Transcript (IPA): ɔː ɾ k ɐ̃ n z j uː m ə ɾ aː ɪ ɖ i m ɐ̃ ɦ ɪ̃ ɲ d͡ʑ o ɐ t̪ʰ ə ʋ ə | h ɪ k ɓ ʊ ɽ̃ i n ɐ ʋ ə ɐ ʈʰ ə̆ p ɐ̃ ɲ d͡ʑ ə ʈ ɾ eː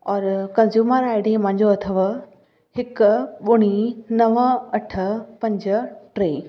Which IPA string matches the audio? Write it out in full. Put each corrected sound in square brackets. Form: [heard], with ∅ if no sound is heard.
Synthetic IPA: ɔː ɾ k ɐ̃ n z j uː m ə ɾ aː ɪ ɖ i m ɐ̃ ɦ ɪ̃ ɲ d͡ʑ o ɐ t̪ʰ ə ʋ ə | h ɪ k ɓ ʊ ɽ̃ i n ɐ ʋ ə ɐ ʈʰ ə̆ p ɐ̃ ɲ d͡ʑ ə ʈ ɾ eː